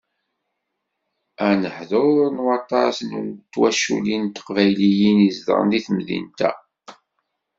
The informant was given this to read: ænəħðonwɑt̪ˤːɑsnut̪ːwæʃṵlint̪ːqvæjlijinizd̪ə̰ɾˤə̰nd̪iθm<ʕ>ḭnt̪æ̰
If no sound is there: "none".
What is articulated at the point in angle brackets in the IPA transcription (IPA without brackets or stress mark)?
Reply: ð